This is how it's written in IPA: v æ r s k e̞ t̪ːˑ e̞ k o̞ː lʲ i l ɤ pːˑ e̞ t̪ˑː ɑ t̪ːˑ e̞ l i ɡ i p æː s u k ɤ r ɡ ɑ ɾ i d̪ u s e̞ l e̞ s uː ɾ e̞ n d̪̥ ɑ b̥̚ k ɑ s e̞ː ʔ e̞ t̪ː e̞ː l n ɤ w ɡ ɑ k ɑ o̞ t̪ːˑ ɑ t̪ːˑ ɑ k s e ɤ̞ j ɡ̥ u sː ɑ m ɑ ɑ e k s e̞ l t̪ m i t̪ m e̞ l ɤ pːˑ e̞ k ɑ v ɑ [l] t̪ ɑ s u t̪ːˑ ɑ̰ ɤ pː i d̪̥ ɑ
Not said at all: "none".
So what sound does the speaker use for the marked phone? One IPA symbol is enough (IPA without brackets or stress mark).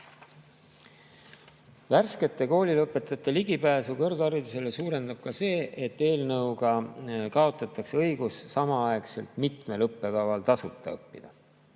l